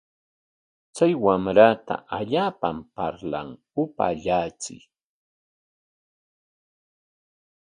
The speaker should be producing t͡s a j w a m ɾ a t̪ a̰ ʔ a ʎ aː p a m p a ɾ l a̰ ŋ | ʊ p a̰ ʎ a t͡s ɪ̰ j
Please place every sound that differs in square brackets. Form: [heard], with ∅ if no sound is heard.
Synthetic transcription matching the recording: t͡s a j w a m ɾ a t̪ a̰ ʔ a ʎ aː p a m p a ɾ l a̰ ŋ | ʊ p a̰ ʎ a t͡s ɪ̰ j